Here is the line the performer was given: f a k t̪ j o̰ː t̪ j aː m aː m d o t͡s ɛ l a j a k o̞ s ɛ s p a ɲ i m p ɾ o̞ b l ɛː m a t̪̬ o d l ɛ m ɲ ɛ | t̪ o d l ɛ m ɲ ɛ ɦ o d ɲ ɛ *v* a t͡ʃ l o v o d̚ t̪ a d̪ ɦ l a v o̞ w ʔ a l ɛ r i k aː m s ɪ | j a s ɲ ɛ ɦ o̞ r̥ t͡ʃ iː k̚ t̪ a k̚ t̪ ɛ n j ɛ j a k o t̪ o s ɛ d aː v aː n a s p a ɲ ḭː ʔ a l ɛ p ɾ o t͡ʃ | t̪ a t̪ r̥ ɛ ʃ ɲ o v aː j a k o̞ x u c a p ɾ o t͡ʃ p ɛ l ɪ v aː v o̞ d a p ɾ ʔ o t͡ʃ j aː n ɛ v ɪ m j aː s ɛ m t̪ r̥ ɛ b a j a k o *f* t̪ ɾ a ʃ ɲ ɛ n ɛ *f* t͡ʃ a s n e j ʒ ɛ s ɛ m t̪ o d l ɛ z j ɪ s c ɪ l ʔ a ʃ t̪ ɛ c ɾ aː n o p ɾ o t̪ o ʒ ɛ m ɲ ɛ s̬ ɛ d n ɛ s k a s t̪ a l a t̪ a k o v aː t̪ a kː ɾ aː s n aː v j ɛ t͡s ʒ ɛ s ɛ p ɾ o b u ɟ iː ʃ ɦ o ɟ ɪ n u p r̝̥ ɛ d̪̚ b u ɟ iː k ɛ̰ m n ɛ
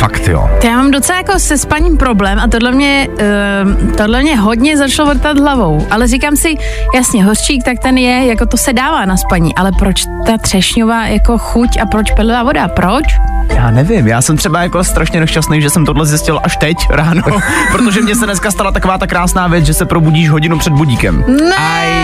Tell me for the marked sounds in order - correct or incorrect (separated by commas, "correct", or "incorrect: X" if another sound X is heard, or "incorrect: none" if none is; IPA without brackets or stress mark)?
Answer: incorrect: z, incorrect: s, incorrect: ʃ